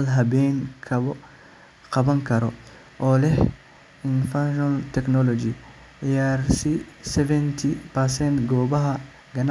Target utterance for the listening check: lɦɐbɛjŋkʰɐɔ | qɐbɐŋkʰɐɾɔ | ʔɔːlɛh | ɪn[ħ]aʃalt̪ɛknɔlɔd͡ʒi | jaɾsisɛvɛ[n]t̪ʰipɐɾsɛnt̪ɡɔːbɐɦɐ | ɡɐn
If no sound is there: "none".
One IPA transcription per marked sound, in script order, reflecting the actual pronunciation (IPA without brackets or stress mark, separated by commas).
f, n